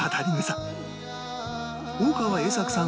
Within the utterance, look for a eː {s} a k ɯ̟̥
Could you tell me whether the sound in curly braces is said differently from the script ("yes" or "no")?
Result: no